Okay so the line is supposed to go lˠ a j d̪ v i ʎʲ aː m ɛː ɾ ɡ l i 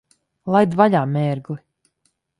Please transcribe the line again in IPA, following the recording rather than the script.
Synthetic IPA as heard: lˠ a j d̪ v a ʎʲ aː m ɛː ɾ ɡ l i